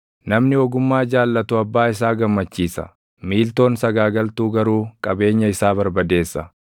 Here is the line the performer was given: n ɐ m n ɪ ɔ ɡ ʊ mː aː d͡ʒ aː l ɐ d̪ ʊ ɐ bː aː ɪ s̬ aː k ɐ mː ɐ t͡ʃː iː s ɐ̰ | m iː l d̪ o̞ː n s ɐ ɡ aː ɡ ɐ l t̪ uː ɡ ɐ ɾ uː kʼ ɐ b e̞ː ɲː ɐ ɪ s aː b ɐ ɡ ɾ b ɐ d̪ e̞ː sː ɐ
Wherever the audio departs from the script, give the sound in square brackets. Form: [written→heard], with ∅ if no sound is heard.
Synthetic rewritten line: n ɐ m n ɪ ɔ ɡ ʊ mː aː d͡ʒ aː [l→lː] ɐ [d̪→t̪] ʊ ɐ bː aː ɪ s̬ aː [k→ɡ] ɐ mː ɐ t͡ʃː iː s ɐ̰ | m iː l [d̪→t̪] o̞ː n s ɐ ɡ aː ɡ ɐ l t̪ uː ɡ ɐ ɾ uː kʼ ɐ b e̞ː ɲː ɐ ɪ s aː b ɐ [ɡ→∅] ɾ b ɐ d̪ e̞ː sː ɐ